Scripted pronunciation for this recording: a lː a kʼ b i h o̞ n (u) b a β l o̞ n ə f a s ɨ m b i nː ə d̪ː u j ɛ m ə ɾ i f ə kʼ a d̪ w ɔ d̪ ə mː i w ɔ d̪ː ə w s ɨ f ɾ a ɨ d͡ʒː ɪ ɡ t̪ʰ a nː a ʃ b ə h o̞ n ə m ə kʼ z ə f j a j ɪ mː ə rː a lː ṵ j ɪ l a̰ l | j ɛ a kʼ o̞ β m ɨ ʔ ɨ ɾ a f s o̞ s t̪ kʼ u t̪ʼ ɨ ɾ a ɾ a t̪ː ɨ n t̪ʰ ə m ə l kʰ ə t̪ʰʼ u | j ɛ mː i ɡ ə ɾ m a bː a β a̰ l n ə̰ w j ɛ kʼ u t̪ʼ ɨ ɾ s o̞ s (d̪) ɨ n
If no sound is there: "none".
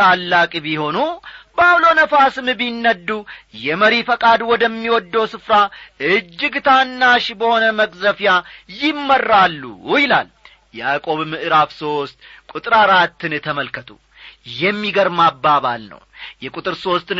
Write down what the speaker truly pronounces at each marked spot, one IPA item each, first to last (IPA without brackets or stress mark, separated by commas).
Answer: u, t̪